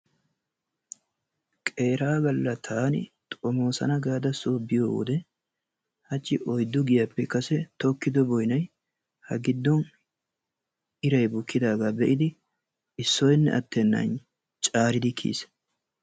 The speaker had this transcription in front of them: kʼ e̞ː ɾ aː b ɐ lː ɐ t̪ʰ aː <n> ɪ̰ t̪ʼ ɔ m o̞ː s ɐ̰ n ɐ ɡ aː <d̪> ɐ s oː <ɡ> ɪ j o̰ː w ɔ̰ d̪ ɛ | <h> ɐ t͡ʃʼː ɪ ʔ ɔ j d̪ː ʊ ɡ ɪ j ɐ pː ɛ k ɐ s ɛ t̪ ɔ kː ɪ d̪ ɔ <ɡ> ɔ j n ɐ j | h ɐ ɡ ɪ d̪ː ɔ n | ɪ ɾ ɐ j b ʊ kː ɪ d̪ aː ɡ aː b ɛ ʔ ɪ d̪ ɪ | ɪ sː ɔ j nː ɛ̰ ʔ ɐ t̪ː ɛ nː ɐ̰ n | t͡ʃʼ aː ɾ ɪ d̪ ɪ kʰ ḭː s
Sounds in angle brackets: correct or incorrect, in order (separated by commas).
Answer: correct, correct, incorrect, correct, incorrect